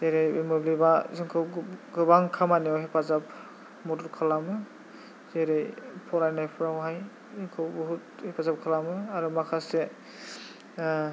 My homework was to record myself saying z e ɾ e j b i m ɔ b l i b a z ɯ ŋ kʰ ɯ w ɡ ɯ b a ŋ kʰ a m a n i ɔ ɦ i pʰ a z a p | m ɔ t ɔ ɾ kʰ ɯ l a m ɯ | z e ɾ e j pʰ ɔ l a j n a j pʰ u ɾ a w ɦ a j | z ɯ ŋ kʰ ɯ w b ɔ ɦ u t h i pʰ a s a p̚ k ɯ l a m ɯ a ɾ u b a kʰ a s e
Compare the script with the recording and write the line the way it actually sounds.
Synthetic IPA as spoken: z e ɾ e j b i m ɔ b l i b a z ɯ ŋ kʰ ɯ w ɡ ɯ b a ŋ kʰ a m a n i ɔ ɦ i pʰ a z a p | m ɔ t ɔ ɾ kʰ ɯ l a m ɯ | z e ɾ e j pʰ ɔ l a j n a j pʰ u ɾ a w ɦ a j | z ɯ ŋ kʰ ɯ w b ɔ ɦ u t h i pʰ a z a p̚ kʰ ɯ l a m ɯ a ɾ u m a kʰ a s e